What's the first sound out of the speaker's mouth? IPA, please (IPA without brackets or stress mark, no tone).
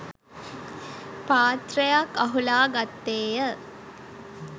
p